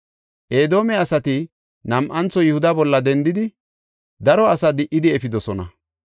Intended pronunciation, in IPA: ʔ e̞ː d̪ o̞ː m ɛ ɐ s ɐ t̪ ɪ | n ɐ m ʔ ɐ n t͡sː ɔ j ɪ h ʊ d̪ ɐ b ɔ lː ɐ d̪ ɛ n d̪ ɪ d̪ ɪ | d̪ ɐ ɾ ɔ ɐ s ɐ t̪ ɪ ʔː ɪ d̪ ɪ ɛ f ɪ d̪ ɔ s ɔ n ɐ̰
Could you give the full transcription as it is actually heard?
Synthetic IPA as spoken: ʔ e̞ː d̪ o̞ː m ɛ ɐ s ɐ t̪ ɪ | n ɐ m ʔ ɐ n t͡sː ɔ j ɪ h ʊ d̪ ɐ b ɔ lː ɐ d̪ ɛ n d̪ ɪ d̪ ɪ | d̪ ɐ ɾ ɔ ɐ s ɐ d̪ ɪ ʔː ɪ d̪ ɪ ɛ f ɪ d̪ ɔ s ɔ n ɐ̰

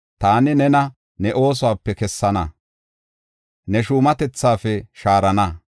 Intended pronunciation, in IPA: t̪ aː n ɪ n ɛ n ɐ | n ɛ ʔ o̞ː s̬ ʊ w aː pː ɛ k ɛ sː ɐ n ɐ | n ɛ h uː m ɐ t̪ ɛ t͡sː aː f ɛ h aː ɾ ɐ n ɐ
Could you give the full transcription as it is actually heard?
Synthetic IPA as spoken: t̪ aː n ɪ n ɛ n ɐ | n ɛ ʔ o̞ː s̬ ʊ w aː pː ɛ k ɛ sː ɐ n ɐ | n ɛ ʃ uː m ɐ t̪ ɛ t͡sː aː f ɛ ʃ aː ɾ ɐ n ɐ

